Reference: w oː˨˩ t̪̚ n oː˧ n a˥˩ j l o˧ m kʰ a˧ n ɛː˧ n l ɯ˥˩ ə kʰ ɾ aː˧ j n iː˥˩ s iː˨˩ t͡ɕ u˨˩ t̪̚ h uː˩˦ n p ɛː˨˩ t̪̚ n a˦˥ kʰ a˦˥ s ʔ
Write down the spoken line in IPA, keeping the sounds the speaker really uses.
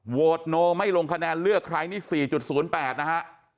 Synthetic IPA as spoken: w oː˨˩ t̪̚ n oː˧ m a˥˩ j l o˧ ŋ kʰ a˧ n ɛː˧ n l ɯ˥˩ ə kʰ ɾ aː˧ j n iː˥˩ s iː˨˩ t͡ɕ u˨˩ t̪̚ s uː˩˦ n p ɛː˨˩ t̪̚ n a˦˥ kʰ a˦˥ ʔ